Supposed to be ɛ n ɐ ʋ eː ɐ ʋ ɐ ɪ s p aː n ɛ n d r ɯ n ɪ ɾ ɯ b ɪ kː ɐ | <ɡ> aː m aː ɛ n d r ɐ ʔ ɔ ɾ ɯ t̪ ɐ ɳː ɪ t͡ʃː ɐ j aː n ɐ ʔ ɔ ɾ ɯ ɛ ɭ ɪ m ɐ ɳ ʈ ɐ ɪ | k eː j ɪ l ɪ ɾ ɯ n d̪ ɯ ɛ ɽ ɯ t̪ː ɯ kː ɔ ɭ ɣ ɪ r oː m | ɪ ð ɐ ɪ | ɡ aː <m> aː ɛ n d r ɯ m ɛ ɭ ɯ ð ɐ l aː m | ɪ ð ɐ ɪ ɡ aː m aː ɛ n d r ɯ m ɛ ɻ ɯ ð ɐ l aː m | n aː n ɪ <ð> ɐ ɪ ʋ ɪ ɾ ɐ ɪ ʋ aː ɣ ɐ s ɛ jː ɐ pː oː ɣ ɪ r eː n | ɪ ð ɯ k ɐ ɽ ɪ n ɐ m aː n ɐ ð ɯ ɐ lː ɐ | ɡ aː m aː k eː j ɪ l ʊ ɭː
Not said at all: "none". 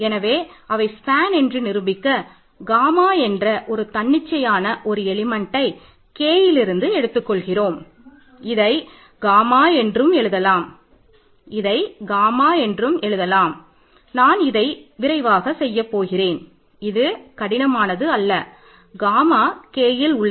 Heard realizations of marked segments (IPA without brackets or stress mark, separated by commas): ɡ, m, ð